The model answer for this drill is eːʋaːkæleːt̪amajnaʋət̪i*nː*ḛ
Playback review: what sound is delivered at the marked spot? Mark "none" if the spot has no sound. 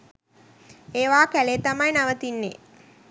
nː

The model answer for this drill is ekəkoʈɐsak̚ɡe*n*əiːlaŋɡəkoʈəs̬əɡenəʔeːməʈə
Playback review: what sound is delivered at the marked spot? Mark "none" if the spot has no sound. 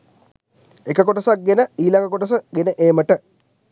n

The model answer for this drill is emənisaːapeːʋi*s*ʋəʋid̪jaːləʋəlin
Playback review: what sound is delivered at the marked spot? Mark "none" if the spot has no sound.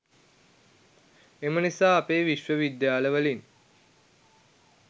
ʃ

